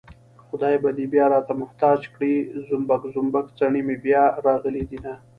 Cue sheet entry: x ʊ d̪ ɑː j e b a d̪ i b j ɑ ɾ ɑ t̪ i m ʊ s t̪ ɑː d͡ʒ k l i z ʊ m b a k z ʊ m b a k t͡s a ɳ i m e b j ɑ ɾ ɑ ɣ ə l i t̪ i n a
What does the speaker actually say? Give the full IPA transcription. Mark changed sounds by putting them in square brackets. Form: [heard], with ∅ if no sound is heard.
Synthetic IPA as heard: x ʊ d̪ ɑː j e b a d̪ i b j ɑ ɾ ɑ t̪ [a] m ʊ [h] t̪ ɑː d͡ʒ k [ɽ] i z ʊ m b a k z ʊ m b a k t͡s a ɳ i m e b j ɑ ɾ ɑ ɣ ə l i [d̪] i n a

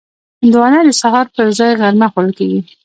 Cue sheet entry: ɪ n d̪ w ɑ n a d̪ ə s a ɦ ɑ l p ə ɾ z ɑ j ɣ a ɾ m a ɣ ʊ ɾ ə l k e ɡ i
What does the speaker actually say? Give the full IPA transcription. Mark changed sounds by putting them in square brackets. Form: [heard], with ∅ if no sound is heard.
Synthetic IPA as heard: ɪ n d̪ w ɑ n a d̪ ə s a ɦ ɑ [ɾ] p ə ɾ z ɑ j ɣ a ɾ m a [x] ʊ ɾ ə l k e ɡ i

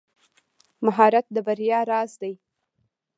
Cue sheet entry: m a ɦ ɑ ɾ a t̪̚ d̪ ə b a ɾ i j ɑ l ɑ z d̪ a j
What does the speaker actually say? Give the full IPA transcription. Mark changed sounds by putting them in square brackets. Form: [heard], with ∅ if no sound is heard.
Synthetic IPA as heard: m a ɦ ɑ ɾ a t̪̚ d̪ ə b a ɾ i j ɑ [ɾ] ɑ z d̪ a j

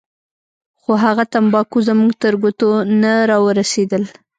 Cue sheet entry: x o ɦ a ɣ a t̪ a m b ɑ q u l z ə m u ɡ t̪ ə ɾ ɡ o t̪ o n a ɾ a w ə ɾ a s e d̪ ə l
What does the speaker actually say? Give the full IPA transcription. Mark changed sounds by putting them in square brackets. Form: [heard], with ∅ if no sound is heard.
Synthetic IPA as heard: x o ɦ a ɣ a t̪ a m b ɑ [k] u [∅] z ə m u ɡ t̪ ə ɾ ɡ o t̪ o n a ɾ [ɑ] w ə ɾ a s e d̪ ə l

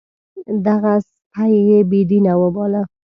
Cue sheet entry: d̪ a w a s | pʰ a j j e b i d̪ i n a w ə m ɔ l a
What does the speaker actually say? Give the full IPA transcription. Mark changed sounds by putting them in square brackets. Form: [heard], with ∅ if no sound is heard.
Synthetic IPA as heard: d̪ a [ɣ] a s | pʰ a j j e b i d̪ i n a w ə [b] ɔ l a

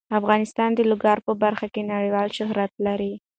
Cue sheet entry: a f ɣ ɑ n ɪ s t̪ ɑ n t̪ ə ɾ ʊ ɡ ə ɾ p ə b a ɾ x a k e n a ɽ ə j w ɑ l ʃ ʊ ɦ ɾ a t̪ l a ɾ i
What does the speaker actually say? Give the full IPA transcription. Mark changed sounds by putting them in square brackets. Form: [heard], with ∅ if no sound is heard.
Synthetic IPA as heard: a f ɣ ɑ n ɪ s t̪ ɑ n [d̪] ə [l] ʊ ɡ [ɑ] ɾ p ə b a ɾ x a k e n a ɽ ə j w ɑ l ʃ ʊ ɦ ɾ a t̪ l a ɾ i

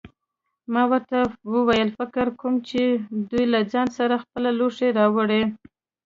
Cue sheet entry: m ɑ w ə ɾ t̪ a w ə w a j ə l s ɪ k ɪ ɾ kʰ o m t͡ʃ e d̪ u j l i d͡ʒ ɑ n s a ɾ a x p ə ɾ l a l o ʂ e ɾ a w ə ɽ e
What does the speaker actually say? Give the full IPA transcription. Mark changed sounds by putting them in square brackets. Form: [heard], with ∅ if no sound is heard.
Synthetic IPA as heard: m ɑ w ə ɾ t̪ a w ə w a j ə l [f] ɪ k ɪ ɾ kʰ o m t͡ʃ e d̪ u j l [a] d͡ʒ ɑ n s a ɾ a x p ə [∅] l a l o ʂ e ɾ [ɑ] w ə ɽ e

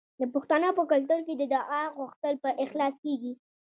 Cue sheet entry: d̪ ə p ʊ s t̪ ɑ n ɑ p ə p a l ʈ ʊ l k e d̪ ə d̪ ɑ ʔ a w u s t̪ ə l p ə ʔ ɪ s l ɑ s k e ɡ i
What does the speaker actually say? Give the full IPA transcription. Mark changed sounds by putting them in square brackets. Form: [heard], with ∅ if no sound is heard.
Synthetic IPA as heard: d̪ ə p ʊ [x] t̪ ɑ n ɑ p ə [k] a l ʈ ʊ l k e d̪ ə d̪ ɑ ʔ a [ɣ] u [x] t̪ ə l p ə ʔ ɪ [x] l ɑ s k e ɡ i

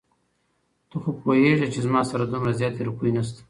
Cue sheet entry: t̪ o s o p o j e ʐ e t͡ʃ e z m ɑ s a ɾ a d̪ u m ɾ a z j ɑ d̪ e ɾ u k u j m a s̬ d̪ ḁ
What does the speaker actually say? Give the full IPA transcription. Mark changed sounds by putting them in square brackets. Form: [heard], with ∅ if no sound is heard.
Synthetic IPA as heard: t̪ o [x] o p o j e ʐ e t͡ʃ e z m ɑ s a ɾ a d̪ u m ɾ a z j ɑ [t̪] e ɾ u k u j [n] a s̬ [t̪] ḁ

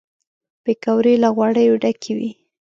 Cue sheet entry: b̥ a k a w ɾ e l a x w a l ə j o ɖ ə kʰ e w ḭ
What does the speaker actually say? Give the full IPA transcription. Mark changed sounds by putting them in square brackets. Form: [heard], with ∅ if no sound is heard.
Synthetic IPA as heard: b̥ [e] k a w ɾ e l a [ɣ] w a [ɽ] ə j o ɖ [a] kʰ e w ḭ

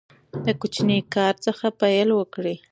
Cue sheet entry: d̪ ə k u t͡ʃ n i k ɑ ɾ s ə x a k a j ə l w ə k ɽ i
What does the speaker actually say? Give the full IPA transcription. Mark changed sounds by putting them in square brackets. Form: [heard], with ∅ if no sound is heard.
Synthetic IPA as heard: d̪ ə k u t͡ʃ n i k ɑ ɾ [t͡s] ə x a [p] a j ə l w ə k ɽ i

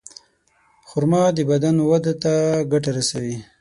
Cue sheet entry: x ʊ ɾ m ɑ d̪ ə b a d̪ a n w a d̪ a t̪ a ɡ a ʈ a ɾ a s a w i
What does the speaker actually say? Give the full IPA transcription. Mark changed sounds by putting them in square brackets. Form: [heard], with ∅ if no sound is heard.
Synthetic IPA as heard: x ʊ ɾ m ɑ d̪ ə b a d̪ a n w a d̪ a t̪ a ɡ a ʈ a ɾ a s a w i

